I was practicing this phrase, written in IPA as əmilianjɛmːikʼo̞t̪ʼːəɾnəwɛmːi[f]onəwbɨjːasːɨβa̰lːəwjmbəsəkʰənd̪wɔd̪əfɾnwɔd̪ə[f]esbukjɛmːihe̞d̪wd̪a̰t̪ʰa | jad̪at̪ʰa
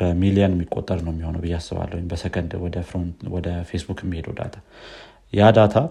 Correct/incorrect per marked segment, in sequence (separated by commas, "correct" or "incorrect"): incorrect, correct